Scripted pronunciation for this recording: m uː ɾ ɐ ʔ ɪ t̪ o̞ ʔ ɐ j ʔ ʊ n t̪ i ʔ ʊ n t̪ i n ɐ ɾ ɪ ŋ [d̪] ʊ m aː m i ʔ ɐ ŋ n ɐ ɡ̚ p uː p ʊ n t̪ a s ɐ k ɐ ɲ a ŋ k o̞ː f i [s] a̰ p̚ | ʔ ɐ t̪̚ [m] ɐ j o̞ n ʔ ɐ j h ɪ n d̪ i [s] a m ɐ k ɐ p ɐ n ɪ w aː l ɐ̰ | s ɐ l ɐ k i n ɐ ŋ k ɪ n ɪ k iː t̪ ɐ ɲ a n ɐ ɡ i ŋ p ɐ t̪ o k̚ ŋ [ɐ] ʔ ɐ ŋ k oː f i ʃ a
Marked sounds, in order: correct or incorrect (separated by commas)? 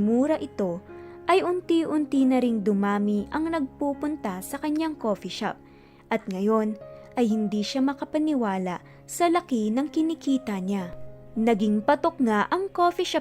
correct, incorrect, incorrect, incorrect, incorrect